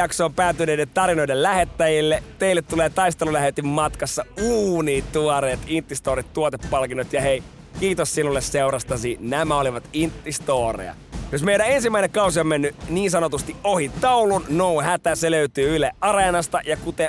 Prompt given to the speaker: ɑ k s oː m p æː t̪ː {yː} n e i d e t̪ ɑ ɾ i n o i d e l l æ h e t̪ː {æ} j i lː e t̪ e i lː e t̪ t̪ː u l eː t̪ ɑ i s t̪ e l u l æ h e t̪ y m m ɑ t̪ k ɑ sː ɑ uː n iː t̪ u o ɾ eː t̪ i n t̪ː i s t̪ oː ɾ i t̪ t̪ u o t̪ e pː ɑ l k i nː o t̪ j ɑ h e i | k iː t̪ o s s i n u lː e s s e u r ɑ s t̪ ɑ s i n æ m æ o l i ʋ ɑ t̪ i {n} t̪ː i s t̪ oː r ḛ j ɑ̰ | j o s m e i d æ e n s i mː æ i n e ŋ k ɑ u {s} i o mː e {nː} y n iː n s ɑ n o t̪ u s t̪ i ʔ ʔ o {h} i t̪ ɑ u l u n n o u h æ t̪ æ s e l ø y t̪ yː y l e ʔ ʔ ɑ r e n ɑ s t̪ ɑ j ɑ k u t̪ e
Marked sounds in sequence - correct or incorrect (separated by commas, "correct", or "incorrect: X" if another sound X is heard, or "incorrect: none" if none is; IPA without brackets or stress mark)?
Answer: incorrect: y, correct, correct, correct, correct, correct